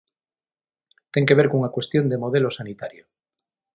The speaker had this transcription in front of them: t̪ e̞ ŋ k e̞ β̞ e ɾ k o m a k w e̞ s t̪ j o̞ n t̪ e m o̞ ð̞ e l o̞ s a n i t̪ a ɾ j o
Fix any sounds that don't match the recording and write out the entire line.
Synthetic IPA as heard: t̪ e̞ ŋ k e̞ β̞ e ɾ k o ŋ a k w e̞ s t̪ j o̞ n d̪ e m o̞ ð̞ e l o̞ s a n i t̪ a ɾ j o